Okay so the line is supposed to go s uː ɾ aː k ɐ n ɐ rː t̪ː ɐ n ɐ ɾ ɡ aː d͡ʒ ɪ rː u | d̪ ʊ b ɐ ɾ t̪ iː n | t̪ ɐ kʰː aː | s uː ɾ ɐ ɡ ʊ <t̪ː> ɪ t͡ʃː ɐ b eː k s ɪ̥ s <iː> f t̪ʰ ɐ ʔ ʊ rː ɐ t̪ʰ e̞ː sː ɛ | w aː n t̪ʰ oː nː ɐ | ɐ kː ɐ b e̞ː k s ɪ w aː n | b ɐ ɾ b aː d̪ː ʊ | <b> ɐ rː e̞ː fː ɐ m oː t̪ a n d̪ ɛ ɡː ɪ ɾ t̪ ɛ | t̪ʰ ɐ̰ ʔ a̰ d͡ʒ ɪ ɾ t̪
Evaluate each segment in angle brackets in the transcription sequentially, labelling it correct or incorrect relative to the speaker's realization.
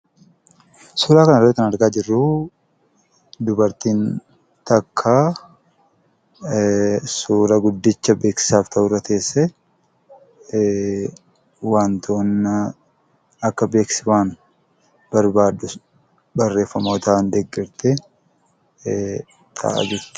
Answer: incorrect: d̪ː, incorrect: aː, correct

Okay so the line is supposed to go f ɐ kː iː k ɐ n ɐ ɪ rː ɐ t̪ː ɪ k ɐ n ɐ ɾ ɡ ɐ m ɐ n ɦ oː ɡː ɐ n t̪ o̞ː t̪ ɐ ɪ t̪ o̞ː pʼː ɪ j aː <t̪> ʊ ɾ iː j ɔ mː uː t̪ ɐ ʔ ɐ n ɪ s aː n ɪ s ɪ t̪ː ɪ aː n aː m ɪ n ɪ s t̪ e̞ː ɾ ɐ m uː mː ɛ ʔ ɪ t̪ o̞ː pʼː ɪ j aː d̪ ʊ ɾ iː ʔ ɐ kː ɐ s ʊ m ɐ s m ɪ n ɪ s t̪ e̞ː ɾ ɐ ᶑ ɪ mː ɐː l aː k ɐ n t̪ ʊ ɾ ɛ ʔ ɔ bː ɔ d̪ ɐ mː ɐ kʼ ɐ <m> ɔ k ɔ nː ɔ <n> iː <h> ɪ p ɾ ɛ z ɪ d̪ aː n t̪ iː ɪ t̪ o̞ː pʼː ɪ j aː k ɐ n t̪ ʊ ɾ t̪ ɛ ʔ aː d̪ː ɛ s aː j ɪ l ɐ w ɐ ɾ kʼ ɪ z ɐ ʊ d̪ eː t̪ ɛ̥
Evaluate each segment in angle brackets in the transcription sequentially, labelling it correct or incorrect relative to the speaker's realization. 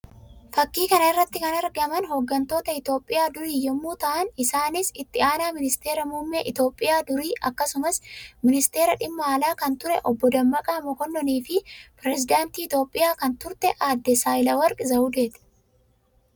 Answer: incorrect: d̪, correct, correct, incorrect: f

